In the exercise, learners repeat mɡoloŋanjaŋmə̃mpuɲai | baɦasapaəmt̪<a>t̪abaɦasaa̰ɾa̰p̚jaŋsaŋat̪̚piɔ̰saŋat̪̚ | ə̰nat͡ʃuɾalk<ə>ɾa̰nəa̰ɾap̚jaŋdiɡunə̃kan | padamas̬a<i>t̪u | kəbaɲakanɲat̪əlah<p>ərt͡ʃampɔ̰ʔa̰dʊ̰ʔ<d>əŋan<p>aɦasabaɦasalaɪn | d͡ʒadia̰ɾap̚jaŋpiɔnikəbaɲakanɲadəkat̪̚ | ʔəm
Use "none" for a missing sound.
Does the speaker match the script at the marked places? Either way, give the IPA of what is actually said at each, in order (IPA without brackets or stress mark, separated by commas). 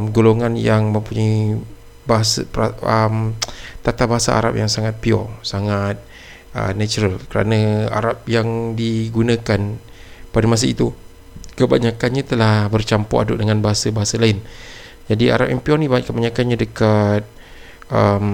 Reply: a, ə, i, b, d, b